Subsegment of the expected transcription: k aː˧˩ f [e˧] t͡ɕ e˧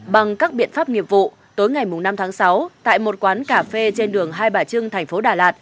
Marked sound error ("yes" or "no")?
no